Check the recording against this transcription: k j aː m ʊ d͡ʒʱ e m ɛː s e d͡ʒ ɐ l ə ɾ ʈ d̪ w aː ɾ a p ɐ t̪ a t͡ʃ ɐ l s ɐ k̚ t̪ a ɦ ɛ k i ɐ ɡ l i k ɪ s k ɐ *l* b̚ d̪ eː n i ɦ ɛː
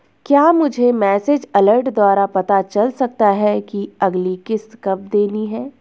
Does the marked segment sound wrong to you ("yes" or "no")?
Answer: yes